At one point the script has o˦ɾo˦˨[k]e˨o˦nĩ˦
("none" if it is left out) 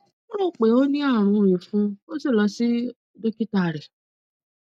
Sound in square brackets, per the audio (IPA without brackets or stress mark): k͡p